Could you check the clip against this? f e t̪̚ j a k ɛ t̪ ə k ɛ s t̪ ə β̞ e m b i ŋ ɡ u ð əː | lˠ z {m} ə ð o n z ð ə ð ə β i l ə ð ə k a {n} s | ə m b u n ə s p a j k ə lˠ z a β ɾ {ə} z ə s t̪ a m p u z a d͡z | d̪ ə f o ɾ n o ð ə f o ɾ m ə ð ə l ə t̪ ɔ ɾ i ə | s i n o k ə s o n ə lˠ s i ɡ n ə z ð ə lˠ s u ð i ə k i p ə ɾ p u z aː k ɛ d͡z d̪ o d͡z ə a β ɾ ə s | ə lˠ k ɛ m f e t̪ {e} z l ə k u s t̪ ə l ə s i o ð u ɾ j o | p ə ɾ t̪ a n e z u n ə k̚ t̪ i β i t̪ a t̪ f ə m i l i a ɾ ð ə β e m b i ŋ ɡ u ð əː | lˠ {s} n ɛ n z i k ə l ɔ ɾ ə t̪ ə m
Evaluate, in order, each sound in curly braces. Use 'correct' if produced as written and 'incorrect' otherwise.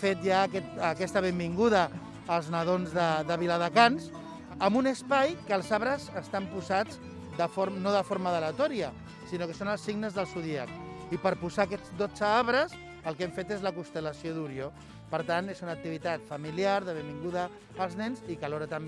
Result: incorrect, correct, correct, correct, incorrect

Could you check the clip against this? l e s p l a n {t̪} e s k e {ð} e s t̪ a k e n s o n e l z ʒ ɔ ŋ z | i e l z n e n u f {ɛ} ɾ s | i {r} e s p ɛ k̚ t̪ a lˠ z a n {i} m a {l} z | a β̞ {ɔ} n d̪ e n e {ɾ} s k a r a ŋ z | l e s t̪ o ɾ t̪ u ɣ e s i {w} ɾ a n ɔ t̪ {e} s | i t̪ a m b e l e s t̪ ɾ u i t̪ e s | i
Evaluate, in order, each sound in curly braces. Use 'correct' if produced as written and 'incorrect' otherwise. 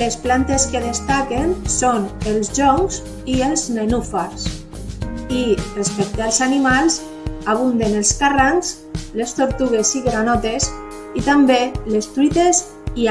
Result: correct, correct, incorrect, correct, correct, correct, incorrect, incorrect, incorrect, correct

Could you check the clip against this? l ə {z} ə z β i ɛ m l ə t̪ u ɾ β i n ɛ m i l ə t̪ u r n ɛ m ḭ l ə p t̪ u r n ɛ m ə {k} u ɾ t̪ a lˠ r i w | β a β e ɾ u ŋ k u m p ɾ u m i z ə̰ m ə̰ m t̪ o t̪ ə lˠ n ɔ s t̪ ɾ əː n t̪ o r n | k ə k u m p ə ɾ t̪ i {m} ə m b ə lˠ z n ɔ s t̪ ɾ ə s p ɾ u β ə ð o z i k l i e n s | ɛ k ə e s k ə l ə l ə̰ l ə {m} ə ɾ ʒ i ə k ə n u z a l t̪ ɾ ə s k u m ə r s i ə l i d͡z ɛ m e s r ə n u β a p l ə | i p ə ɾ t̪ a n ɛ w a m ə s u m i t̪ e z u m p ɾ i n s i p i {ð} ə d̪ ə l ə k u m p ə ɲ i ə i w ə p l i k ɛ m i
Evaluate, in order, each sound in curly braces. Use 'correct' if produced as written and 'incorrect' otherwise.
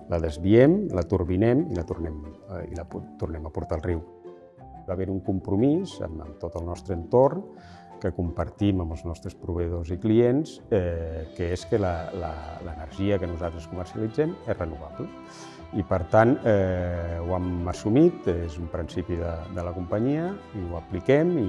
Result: incorrect, incorrect, correct, incorrect, correct

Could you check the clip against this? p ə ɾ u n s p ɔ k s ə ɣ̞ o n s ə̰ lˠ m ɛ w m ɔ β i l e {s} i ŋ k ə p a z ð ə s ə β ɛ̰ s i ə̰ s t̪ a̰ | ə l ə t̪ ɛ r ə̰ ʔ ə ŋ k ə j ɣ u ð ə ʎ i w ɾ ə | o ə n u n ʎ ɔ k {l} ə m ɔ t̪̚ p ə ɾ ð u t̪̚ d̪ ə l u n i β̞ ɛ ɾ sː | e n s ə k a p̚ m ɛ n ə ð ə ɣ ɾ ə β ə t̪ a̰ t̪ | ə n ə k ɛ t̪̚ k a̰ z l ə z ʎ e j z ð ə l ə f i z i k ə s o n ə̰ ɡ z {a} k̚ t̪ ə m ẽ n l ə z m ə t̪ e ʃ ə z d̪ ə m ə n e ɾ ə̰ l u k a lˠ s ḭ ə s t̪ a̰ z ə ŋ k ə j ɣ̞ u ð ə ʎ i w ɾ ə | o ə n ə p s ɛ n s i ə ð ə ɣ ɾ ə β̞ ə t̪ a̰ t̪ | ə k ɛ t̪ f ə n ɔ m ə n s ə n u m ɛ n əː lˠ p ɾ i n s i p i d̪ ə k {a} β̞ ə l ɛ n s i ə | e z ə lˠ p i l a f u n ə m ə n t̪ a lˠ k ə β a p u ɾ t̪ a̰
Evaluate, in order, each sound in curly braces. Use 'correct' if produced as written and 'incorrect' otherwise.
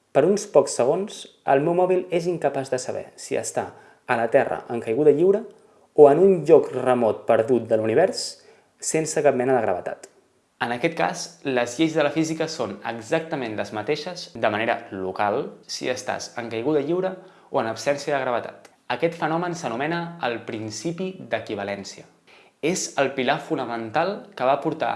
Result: incorrect, incorrect, correct, incorrect

